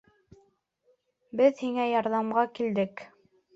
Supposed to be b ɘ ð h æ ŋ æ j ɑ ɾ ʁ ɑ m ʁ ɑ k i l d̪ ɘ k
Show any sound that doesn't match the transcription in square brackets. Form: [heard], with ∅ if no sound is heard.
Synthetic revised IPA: b ɘ ð h [i] ŋ æ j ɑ ɾ [ð] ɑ m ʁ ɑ k i l d̪ ɘ k